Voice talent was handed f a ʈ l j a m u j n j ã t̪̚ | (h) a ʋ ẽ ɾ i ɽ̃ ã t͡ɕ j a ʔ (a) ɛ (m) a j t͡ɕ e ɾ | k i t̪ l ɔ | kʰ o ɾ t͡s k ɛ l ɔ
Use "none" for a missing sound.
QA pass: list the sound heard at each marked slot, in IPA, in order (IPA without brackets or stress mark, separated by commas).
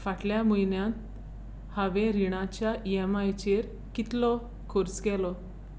h, i, m